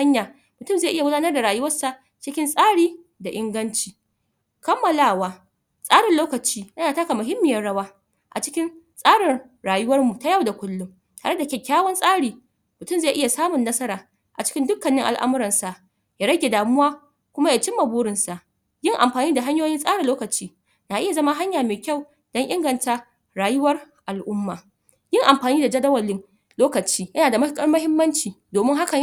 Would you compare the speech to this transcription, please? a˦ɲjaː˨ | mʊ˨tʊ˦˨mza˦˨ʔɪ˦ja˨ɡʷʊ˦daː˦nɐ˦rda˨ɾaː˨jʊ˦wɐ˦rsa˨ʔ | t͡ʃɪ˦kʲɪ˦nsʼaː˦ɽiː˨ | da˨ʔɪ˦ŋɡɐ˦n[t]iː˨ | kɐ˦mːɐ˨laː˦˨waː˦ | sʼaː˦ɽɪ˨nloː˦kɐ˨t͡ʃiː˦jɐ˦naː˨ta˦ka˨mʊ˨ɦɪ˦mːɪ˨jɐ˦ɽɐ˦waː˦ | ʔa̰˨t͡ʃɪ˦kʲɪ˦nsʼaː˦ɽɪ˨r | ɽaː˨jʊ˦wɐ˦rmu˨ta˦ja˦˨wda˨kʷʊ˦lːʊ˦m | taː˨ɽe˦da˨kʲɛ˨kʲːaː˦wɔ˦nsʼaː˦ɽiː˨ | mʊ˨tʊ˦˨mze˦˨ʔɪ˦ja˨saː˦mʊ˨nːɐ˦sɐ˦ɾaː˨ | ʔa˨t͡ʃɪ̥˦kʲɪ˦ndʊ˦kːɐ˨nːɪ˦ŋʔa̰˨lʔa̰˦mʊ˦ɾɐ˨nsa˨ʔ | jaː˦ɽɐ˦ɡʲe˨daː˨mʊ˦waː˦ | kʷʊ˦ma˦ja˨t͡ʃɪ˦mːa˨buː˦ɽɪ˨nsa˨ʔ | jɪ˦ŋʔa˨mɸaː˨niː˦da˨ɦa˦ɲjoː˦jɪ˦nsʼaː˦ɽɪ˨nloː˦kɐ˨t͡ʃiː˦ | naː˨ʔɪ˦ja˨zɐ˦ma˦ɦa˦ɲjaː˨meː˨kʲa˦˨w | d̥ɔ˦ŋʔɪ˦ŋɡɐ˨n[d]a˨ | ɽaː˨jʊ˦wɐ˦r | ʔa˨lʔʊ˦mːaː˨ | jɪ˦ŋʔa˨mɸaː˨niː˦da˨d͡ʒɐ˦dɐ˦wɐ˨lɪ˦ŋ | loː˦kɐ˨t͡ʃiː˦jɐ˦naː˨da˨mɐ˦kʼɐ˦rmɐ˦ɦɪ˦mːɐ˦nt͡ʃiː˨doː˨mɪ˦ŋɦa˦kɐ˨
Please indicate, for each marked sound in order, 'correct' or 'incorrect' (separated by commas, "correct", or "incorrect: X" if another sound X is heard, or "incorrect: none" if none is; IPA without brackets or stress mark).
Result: incorrect: t͡ʃ, incorrect: t